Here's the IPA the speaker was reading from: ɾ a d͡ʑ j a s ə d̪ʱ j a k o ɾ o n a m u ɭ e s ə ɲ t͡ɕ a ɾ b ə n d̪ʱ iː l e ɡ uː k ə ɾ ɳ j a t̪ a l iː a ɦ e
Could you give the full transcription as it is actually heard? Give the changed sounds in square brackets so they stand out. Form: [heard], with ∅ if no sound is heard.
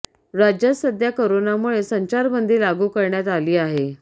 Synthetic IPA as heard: ɾ a d͡ʑ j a s ə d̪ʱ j a k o ɾ o n a m u ɭ e s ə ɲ t͡ɕ a ɾ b ə n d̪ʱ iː l [a] ɡ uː k ə ɾ ɳ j a t̪ a l iː a ɦ e